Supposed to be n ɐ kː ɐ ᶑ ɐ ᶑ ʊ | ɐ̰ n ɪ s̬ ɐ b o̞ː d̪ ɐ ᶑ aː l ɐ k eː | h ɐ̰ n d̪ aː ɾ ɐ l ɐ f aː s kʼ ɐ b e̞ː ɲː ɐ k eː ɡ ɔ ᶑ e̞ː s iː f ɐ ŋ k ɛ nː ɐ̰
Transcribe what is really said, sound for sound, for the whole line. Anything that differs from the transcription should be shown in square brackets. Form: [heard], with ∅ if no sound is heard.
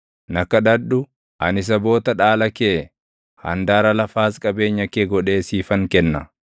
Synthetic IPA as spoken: n ɐ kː ɐ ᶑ ɐ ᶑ ʊ | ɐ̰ n ɪ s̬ ɐ b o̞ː [t̪] ɐ ᶑ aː l ɐ k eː | h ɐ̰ n d̪ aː ɾ ɐ l ɐ f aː s kʼ ɐ b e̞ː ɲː ɐ k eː ɡ ɔ ᶑ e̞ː s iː f ɐ ŋ k ɛ nː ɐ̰